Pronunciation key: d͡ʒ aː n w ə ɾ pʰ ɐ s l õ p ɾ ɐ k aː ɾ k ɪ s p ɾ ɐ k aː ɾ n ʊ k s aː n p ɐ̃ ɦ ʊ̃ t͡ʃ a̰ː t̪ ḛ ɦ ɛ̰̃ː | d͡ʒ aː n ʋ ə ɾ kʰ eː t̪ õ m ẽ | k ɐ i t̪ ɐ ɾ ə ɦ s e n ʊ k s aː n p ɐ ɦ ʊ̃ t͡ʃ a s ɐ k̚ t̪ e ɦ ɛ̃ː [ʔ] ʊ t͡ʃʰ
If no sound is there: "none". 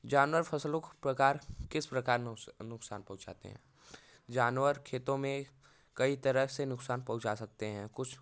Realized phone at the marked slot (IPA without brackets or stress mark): k